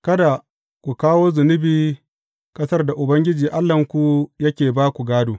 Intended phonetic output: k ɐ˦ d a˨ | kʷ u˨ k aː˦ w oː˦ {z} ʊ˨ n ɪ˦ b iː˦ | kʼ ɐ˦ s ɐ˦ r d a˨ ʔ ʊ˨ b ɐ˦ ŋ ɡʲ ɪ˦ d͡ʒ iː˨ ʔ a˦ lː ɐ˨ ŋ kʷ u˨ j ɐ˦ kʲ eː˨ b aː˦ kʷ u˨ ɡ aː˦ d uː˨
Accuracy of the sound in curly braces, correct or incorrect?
correct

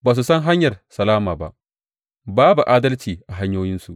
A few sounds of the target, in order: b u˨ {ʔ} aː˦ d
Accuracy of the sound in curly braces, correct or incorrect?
correct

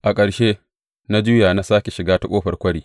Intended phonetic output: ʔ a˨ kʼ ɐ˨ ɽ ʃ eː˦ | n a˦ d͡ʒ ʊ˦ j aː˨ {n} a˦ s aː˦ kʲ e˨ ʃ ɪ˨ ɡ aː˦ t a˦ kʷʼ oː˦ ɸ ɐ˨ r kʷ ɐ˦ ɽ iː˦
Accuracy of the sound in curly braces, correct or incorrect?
correct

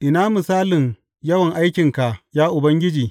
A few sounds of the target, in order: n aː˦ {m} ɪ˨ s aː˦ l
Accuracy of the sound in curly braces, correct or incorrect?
correct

